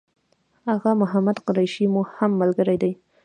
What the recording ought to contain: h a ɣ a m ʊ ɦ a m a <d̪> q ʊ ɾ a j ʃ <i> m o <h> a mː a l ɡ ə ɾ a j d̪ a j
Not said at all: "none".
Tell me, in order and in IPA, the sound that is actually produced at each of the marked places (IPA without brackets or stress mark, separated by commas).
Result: d̪, i, h